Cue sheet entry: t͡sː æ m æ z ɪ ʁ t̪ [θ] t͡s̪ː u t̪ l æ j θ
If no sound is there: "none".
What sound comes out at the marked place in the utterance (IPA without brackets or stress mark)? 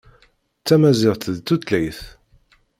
ð